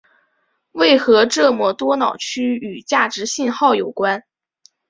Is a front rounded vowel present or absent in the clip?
present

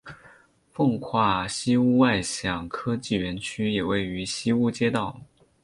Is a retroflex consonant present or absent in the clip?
absent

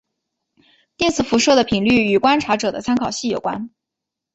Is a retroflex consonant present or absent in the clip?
present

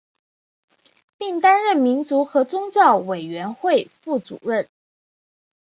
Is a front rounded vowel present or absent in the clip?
absent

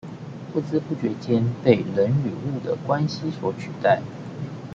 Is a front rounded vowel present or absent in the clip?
present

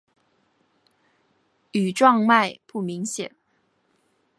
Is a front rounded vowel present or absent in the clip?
present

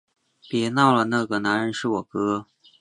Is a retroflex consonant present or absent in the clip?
present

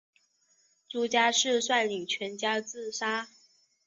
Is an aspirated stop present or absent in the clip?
present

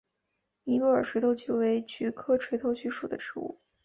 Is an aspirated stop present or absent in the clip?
present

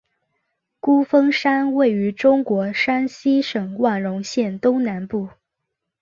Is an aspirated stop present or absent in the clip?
absent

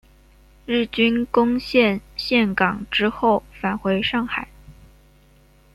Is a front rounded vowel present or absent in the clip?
present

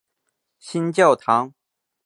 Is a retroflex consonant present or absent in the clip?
absent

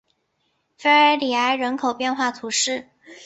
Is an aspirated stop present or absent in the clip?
present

